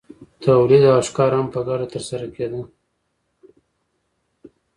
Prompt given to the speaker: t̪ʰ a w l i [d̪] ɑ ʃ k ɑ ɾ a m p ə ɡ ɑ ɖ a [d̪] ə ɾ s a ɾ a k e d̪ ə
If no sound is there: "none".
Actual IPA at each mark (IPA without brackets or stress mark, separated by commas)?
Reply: d̪, t̪